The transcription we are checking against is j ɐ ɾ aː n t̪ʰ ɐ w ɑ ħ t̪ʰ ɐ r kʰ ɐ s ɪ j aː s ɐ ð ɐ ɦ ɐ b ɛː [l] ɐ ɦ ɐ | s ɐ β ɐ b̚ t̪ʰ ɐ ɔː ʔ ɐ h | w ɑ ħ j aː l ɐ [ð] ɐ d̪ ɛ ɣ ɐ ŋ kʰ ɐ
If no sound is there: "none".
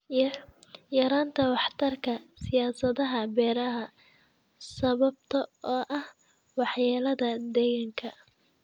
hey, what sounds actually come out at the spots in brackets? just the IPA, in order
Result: ɾ, ð

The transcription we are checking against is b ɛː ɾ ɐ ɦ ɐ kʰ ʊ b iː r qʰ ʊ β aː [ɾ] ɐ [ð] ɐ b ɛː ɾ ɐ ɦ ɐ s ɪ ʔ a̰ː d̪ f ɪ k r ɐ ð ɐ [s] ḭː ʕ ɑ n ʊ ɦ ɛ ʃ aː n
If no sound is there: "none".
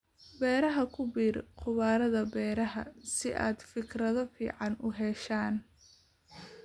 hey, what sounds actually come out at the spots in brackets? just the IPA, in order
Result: ɾ, ð, f

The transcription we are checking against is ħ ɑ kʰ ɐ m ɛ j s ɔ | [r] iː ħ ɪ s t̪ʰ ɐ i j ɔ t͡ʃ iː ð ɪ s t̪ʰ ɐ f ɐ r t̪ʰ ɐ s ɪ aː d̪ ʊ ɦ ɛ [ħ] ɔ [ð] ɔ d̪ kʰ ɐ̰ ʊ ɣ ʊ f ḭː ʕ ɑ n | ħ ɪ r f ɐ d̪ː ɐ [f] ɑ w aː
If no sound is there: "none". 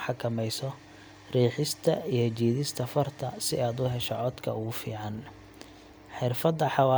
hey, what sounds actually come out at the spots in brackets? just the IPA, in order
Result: r, ʃ, ʕ, ħ

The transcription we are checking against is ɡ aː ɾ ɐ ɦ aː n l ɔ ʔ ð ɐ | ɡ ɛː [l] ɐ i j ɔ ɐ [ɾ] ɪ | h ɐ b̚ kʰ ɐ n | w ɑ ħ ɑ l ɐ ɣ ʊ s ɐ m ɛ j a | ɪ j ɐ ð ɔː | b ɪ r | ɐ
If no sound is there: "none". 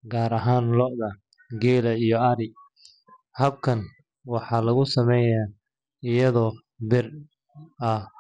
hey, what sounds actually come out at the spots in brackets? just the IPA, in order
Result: l, ɾ

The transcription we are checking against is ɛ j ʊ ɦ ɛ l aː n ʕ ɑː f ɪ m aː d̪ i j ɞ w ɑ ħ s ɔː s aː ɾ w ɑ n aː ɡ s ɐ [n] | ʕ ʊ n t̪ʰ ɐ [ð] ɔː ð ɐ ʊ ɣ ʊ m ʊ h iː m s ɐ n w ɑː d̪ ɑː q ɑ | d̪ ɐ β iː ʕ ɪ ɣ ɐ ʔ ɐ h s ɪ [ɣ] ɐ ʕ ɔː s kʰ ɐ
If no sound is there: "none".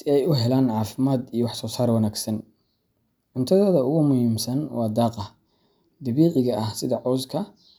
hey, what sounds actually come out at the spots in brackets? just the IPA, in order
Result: n, ð, ð

